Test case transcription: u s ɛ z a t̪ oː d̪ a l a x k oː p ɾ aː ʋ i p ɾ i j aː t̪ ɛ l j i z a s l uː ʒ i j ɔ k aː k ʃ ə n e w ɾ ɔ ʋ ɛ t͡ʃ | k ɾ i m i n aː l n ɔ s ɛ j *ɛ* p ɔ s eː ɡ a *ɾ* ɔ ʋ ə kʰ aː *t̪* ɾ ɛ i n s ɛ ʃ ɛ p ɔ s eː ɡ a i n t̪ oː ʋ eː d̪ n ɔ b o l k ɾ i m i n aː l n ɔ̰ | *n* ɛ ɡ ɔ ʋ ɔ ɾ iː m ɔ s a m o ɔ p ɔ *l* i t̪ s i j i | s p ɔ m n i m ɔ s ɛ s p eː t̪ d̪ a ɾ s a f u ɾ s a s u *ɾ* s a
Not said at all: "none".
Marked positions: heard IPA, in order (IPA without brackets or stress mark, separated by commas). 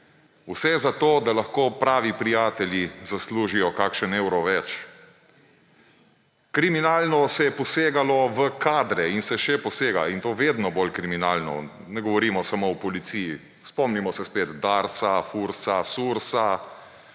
ɛ, l, d̪, n, l, ɾ